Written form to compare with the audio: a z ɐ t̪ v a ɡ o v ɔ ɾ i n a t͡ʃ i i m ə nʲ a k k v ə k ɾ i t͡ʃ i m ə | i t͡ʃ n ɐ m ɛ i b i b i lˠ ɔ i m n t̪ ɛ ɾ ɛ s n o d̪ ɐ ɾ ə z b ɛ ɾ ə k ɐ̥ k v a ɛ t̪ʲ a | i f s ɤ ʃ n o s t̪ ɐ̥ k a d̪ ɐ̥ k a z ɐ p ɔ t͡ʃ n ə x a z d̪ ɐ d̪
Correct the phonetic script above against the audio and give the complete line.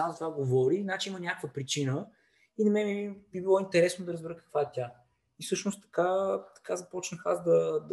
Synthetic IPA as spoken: a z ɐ t̪ v a ɡ o v ɔ ɾ i n a t͡ʃ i i m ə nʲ a k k v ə p ɾ i t͡ʃ i n ə | i n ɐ m ɛ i b i b i lˠ ɔ i n t̪ ɛ ɾ ɛ s n o d̪ ɐ ɾ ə z b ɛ ɾ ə k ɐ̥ k v a ɛ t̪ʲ a | i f s ɤ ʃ n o s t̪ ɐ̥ k a t̪ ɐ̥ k a z ɐ p ɔ t͡ʃ n ə x a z d̪ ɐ d̪